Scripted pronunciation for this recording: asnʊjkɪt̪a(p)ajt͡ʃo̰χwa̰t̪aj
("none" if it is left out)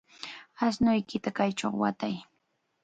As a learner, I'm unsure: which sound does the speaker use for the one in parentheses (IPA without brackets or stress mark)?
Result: k